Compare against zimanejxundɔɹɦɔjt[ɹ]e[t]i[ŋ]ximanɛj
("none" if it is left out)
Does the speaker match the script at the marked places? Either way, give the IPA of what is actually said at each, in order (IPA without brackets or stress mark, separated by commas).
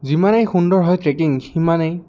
ɹ, k, ŋ